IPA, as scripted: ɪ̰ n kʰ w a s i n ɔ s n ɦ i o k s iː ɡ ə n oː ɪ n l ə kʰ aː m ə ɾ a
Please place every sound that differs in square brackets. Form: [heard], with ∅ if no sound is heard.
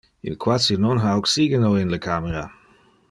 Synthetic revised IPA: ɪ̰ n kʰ w a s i n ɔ [∅] n ɦ [a] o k s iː ɡ ə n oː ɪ n l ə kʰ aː m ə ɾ a